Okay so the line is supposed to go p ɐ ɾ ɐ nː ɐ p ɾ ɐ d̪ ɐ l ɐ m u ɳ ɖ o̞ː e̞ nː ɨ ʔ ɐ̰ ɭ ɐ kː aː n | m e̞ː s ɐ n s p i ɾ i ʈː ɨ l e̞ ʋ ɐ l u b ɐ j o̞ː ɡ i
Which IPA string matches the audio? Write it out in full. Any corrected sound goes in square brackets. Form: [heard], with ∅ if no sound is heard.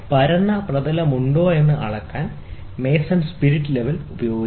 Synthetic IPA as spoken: p ɐ ɾ ɐ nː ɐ p [r] ɐ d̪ ɐ l ɐ m u ɳ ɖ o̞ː e̞ nː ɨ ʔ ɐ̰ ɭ ɐ kː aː n | m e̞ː s ɐ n s p i ɾ i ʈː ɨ l e̞ ʋ ɐ l u b ɐ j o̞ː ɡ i

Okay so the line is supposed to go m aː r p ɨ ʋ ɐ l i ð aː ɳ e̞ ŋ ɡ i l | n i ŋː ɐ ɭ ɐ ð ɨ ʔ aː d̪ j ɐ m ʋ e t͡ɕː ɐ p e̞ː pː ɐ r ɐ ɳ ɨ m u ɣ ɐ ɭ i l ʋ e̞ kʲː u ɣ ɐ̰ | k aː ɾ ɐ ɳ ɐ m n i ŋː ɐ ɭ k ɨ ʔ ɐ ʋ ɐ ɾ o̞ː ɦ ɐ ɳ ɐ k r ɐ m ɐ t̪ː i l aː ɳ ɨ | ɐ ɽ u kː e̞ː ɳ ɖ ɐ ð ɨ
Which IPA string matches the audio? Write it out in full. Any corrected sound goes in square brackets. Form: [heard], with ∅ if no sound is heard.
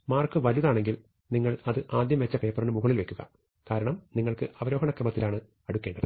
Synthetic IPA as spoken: m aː r [k] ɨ ʋ ɐ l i ð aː ɳ e̞ ŋ ɡ i l | n i ŋː ɐ ɭ ɐ ð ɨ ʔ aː d̪ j ɐ m ʋ e t͡ɕː ɐ p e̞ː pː ɐ r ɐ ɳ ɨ m u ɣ ɐ ɭ i l ʋ e̞ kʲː u ɣ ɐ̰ | k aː ɾ ɐ ɳ ɐ m n i ŋː ɐ ɭ k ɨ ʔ ɐ ʋ ɐ ɾ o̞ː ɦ ɐ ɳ ɐ k r ɐ m ɐ t̪ː i l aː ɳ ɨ | ɐ ɽ u kː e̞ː ɳ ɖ ɐ ð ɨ

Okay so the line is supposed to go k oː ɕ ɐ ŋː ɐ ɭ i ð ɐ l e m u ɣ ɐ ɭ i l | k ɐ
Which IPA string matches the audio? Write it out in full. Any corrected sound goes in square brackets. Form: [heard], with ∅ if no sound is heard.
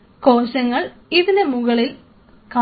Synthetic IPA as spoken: k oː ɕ ɐ ŋː ɐ ɭ i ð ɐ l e m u ɣ ɐ ɭ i l | k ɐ

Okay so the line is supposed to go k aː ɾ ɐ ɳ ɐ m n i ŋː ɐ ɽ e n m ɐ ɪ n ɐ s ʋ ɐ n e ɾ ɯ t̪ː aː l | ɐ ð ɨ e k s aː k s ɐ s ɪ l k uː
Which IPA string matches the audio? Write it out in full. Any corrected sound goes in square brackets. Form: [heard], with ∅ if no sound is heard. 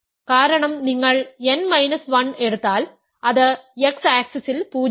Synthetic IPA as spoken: k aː ɾ ɐ ɳ ɐ m n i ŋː ɐ [ɭ] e n m ɐ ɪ n ɐ s ʋ ɐ n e [ɽ] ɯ t̪ː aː l | ɐ ð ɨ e k s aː k s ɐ s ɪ l [p] uː

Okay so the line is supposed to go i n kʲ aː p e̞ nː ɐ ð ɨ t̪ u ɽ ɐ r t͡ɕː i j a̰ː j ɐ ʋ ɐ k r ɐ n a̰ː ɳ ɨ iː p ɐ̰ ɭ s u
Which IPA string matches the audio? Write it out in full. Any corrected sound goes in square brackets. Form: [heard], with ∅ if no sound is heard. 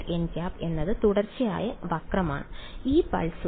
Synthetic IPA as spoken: [e] n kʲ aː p e̞ nː ɐ ð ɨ t̪ u ɽ ɐ r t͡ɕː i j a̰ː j ɐ ʋ ɐ k r ɐ [m] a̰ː ɳ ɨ iː p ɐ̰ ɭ s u

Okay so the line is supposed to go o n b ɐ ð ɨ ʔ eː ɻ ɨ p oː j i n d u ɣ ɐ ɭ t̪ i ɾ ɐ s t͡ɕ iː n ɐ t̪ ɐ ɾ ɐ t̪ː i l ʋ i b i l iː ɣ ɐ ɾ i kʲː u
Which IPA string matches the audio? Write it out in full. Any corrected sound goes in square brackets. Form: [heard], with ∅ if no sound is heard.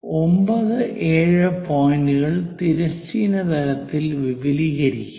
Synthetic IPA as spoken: o [m] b ɐ ð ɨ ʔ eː ɻ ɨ p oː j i n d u ɣ ɐ ɭ t̪ i ɾ ɐ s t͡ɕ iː n ɐ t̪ ɐ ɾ ɐ t̪ː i l ʋ i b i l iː ɣ ɐ ɾ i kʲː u

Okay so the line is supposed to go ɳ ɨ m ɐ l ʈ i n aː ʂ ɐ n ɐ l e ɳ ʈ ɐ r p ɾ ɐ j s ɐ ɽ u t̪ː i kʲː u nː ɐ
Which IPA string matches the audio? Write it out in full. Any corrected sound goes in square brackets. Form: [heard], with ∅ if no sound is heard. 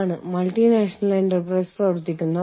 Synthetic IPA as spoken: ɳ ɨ m ɐ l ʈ i n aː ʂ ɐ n ɐ l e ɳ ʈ ɐ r p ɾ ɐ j s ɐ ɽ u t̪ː i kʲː u nː ɐ

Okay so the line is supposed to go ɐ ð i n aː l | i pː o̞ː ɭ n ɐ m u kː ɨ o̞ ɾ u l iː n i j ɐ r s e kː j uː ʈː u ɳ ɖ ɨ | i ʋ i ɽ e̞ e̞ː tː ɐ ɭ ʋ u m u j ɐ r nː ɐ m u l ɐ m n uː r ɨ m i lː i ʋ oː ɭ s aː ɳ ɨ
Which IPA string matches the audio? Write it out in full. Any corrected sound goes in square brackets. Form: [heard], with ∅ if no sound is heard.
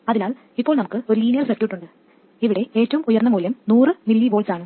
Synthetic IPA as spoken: ɐ ð i n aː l | i pː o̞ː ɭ n ɐ m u kː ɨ o̞ ɾ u l iː n i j ɐ r s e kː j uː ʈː u ɳ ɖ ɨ | i ʋ i ɽ e̞ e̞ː tː ɐ [∅] ʋ u m u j ɐ r nː ɐ m [uː] l ɐ m n uː r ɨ m i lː i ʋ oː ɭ s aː ɳ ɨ

